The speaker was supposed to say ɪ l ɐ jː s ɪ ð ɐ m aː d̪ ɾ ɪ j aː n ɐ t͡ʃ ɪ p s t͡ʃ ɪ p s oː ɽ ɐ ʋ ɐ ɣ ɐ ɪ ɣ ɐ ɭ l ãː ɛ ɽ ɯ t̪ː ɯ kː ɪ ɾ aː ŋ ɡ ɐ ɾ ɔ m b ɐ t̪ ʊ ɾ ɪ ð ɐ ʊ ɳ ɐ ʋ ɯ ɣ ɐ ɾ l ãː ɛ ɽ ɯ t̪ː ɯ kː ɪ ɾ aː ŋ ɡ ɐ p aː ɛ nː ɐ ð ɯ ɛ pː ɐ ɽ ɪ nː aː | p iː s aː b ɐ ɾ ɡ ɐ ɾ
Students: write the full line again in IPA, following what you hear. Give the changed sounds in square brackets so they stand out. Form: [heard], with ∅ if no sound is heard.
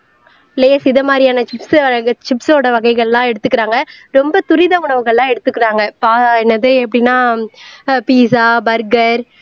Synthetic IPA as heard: ɪ l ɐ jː s ɪ ð ɐ m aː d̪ ɾ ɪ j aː n ɐ t͡ʃ ɪ p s t͡ʃ ɪ p s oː ɽ ɐ ʋ ɐ ɣ ɐ ɪ ɣ ɐ ɭ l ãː ɛ ɽ ɯ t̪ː ɯ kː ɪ ɾ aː ŋ ɡ ɐ ɾ ɔ m b ɐ t̪ ʊ ɾ ɪ ð ɐ ʊ ɳ ɐ ʋ ɯ ɣ ɐ [ɭ] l ãː ɛ ɽ ɯ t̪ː ɯ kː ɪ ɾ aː ŋ ɡ ɐ p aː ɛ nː ɐ ð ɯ ɛ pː ɐ ɽ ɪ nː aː | p iː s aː b ɐ ɾ ɡ ɐ ɾ